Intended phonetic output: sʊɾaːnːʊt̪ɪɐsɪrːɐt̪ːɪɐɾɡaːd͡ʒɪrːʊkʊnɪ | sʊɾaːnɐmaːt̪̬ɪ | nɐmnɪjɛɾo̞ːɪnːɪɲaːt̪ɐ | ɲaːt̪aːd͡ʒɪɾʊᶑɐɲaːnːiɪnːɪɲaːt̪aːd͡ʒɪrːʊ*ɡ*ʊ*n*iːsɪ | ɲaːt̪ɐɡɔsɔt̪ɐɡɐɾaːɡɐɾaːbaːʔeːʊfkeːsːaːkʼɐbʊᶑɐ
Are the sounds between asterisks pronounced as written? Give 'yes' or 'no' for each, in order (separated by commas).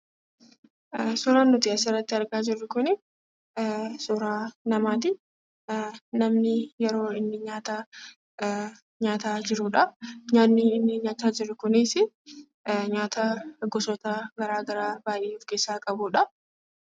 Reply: no, yes